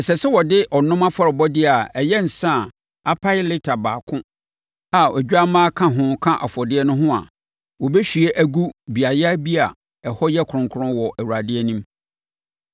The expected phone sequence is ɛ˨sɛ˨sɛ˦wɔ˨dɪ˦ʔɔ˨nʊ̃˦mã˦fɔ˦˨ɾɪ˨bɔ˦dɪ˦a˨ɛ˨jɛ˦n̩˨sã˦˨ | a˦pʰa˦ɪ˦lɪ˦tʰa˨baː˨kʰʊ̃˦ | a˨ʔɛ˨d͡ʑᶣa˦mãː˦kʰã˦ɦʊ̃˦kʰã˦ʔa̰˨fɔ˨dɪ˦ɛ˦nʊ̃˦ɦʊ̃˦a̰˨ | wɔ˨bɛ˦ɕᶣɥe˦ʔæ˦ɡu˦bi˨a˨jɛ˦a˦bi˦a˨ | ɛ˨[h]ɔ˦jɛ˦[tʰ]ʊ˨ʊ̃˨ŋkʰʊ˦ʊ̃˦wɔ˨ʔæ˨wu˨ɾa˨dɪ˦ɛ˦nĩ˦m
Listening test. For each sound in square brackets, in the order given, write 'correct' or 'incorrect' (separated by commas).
correct, incorrect